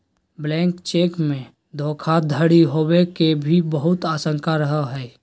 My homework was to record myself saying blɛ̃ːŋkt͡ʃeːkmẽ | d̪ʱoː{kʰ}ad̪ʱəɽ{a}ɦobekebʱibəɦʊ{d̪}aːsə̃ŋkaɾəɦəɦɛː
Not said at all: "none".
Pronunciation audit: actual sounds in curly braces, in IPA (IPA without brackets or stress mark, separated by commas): kʰ, i, t̪